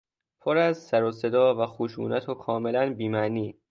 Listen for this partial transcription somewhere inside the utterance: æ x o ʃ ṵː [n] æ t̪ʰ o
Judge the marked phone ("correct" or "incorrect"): correct